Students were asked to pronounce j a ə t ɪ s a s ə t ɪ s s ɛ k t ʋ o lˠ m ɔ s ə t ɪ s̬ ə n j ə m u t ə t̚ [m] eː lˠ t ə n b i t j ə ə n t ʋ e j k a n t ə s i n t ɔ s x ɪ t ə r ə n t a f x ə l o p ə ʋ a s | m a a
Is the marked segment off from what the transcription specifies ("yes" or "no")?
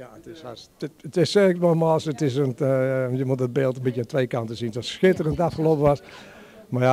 yes